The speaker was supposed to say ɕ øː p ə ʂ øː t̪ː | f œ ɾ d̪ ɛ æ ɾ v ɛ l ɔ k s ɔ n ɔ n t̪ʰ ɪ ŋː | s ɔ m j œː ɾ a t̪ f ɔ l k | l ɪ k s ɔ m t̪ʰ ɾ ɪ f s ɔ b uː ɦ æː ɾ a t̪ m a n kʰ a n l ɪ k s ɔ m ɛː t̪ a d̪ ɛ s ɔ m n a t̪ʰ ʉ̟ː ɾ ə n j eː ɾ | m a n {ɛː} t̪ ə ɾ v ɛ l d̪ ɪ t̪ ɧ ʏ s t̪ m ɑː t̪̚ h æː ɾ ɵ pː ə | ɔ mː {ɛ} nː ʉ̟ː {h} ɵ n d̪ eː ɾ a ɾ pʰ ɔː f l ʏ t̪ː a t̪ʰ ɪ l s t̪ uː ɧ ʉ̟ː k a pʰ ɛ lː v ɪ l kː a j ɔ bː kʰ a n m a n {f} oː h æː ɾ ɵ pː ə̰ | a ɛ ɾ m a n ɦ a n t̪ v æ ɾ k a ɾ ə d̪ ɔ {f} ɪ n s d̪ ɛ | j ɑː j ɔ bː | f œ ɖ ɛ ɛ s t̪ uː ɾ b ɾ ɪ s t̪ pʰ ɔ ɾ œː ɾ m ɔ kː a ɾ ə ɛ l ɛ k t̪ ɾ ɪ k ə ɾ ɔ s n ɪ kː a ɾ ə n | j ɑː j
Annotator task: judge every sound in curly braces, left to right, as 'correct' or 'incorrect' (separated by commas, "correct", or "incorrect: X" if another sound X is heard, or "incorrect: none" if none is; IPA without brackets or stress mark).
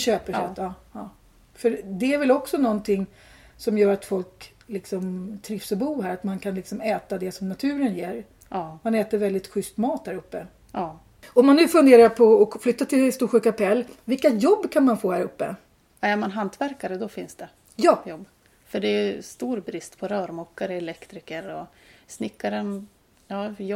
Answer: correct, incorrect: a, incorrect: f, correct, correct